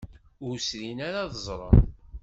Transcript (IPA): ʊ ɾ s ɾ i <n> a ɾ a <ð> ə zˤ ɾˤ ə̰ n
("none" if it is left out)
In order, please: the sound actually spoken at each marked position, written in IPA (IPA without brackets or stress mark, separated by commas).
n, ð